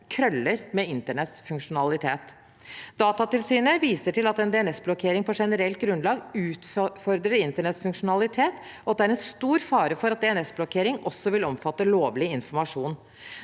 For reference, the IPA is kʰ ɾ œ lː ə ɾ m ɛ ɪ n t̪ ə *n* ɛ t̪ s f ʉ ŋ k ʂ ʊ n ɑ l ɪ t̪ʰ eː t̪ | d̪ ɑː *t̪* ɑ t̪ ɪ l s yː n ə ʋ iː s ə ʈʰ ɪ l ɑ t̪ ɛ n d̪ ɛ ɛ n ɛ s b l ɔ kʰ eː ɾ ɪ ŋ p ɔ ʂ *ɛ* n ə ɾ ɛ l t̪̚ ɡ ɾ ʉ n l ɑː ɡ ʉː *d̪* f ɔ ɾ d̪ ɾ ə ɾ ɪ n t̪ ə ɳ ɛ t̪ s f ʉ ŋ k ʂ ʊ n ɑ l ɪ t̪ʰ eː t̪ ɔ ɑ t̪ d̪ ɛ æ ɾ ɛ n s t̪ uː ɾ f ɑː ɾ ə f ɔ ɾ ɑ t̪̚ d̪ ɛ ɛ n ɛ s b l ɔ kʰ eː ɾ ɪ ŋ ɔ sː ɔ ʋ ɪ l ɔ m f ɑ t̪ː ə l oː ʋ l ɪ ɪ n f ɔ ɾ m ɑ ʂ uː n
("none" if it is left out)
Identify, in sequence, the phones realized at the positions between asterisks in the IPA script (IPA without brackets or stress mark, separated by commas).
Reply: ɳ, t̪, ɛ, t̪